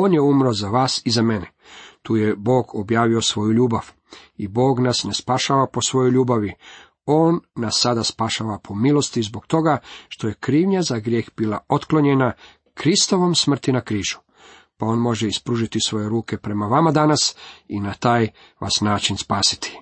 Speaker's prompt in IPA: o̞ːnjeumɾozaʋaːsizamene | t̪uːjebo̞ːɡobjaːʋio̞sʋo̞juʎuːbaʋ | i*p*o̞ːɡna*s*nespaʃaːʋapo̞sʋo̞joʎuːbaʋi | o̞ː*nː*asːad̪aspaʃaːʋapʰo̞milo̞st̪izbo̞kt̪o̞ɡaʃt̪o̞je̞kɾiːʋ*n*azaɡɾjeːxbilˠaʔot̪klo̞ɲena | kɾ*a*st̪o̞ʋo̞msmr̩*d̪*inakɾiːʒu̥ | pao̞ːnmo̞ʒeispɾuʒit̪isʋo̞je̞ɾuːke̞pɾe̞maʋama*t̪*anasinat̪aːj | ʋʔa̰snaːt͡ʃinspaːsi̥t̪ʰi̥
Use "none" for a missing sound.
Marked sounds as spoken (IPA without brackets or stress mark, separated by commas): b, s, nː, ɲ, i, t̪, d̪